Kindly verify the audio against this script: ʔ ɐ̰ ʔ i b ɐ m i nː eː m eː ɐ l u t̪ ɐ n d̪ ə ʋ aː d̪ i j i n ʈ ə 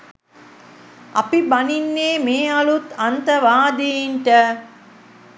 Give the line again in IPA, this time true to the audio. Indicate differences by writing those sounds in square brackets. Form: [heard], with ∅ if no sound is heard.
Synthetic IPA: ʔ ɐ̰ [p] i b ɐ [n] i nː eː m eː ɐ l u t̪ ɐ n [t̪] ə ʋ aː d̪ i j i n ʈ ə